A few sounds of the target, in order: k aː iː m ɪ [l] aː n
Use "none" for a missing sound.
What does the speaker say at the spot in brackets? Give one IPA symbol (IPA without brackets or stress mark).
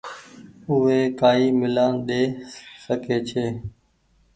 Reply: l